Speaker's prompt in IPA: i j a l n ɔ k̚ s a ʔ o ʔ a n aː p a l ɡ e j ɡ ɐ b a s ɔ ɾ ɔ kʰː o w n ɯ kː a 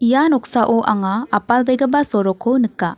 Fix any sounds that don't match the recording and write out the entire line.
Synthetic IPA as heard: i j a n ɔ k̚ s a ʔ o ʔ a ŋ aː p a l b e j ɡ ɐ b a s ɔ ɾ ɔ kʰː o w n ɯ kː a